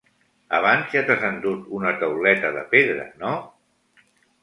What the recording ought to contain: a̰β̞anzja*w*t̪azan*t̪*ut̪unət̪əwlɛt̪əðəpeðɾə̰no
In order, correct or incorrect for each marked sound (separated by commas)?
incorrect, incorrect